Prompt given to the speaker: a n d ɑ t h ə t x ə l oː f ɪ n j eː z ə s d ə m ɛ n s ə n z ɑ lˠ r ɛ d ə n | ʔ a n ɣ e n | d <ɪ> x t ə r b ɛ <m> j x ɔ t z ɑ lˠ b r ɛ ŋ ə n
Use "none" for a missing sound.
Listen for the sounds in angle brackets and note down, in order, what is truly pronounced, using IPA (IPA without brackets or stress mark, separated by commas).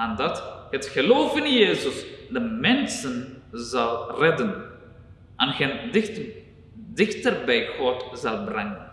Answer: ɪ, none